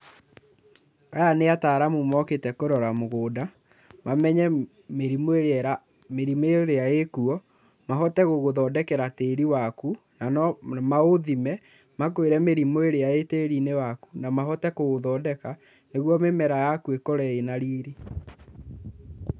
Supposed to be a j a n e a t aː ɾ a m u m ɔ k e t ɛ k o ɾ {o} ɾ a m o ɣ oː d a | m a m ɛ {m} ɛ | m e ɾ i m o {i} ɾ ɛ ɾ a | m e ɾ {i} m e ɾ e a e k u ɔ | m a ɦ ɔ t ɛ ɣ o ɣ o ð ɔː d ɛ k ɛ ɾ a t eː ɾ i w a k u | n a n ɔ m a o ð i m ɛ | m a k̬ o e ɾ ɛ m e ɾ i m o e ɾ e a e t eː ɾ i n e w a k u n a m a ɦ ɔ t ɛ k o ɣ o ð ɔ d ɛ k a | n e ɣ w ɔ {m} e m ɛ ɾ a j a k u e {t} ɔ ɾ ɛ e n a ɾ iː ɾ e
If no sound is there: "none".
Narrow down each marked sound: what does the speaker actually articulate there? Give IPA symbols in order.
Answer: ɔ, ɲ, e, i, m, k

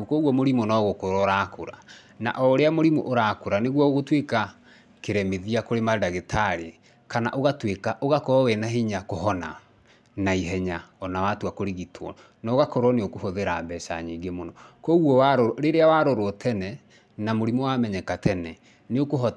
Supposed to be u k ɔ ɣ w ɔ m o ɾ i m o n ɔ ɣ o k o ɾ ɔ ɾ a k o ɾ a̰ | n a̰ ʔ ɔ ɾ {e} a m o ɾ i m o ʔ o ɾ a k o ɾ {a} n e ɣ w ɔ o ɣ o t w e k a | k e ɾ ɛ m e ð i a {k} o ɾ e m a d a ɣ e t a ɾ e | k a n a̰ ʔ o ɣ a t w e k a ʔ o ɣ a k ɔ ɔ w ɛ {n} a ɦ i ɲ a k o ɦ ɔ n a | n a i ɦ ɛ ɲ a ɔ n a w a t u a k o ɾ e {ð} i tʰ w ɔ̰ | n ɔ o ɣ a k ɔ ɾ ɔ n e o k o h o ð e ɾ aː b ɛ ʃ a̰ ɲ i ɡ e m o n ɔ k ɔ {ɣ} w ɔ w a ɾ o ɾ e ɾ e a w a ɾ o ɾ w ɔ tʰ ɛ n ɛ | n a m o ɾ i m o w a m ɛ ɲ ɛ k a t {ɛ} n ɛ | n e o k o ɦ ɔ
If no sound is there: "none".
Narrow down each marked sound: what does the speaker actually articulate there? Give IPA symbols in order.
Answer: e, a, k, n, ɣ, ɣ, ɛ

